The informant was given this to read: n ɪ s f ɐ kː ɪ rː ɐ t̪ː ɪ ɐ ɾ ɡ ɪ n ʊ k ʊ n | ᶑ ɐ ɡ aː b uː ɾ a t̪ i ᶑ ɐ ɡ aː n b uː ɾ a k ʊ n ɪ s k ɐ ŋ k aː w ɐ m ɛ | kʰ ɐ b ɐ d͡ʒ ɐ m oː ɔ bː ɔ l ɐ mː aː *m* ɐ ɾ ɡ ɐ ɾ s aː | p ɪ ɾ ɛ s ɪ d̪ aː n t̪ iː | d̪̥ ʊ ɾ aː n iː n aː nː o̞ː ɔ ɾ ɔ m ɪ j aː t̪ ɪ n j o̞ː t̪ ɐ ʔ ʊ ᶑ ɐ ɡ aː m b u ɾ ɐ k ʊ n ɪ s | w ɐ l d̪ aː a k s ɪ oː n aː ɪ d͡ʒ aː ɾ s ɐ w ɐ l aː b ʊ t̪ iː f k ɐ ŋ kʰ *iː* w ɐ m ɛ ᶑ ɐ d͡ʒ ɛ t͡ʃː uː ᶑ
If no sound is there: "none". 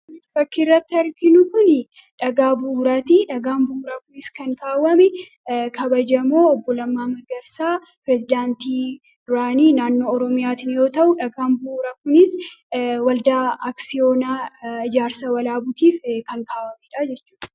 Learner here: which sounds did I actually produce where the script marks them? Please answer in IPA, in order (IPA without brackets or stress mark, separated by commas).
m, aː